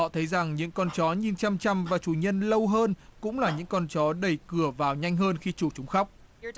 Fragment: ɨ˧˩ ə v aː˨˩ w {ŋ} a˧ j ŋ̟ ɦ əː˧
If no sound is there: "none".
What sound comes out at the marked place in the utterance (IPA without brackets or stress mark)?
ɲ